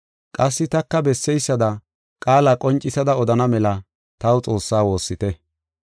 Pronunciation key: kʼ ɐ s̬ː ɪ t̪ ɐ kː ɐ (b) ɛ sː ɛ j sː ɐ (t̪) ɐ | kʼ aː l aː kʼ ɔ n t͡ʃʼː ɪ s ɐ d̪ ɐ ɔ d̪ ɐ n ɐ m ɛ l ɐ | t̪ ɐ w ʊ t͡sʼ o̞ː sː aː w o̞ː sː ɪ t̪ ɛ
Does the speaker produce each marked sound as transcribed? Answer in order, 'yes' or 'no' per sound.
yes, no

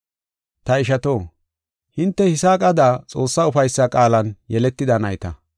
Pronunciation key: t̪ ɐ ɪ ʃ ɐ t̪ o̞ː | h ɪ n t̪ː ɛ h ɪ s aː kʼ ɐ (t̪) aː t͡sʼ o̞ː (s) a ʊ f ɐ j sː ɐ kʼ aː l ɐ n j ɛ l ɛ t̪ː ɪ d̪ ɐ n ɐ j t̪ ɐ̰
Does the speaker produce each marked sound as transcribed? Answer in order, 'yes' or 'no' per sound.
no, no

